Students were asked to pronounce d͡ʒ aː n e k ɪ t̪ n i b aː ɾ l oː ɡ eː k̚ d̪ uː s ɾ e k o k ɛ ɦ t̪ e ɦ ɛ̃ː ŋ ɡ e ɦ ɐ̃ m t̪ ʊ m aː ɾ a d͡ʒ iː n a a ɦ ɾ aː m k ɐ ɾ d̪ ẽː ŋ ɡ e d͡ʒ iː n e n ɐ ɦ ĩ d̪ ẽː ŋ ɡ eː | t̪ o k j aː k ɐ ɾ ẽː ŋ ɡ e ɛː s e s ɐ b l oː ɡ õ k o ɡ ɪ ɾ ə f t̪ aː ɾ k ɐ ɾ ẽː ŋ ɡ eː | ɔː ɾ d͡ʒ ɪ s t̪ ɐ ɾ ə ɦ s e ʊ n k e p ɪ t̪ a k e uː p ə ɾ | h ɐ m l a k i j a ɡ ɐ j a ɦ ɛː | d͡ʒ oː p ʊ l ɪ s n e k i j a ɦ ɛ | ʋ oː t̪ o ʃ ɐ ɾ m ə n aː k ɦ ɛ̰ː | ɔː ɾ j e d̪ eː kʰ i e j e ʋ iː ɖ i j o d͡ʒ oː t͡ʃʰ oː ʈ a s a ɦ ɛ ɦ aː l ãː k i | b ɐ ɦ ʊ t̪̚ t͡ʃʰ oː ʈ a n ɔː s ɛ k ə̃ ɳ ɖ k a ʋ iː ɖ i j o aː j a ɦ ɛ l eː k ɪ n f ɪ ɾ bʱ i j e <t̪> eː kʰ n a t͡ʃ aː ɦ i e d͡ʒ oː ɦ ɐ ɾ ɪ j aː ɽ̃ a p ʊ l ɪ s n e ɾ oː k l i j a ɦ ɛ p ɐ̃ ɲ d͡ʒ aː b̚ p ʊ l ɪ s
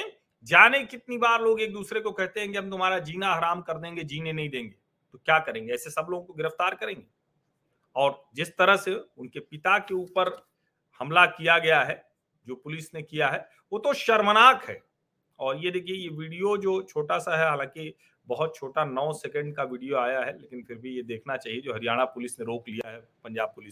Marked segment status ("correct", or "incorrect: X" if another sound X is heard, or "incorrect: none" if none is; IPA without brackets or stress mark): incorrect: d̪